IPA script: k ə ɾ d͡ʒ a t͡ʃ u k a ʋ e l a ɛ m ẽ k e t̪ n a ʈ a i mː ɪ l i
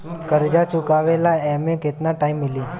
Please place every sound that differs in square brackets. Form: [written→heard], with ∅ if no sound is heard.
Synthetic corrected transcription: k ə ɾ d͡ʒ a t͡ʃ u k a ʋ e l a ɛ m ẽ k e t̪ n a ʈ a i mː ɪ l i